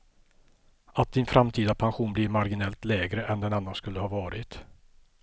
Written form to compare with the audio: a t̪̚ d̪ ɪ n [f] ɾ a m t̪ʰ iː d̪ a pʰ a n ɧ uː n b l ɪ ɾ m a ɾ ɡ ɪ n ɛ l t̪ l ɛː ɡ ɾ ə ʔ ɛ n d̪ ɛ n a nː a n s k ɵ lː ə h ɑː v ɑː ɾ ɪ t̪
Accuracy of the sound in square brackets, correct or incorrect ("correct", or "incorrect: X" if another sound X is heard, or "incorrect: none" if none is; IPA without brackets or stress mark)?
correct